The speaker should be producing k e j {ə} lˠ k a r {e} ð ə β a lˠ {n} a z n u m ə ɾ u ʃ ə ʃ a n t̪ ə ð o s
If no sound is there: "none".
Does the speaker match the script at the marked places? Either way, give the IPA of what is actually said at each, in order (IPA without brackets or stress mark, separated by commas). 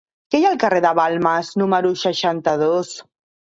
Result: a, e, m